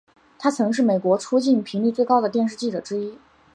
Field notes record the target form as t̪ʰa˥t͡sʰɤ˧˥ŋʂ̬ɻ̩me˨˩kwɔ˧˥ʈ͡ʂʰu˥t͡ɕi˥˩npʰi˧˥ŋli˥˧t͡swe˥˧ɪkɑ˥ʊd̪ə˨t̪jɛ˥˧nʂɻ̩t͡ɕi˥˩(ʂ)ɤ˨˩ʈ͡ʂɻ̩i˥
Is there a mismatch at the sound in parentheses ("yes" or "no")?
yes